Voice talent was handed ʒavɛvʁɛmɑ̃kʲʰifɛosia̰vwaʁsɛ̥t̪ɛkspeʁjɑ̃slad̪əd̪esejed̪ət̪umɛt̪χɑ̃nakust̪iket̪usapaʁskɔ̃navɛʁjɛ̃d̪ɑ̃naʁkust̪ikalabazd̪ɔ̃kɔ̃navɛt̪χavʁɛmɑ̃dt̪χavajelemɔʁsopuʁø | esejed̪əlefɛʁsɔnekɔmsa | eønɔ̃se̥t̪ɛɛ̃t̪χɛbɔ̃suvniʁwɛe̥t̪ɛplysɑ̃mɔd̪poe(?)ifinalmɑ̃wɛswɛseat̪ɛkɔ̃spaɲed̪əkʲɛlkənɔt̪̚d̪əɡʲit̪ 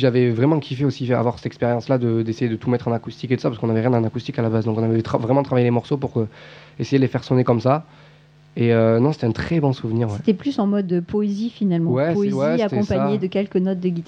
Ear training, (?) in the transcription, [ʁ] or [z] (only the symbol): z